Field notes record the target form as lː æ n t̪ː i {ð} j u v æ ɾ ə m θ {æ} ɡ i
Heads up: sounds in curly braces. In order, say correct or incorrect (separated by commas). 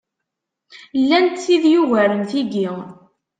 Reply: correct, incorrect